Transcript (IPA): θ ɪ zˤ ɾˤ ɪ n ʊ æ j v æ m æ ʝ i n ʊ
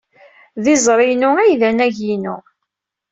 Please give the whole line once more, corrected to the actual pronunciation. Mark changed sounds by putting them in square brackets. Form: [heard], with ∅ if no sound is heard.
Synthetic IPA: [ð] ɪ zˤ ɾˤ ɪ n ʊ æ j [ð] æ [n] æ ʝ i n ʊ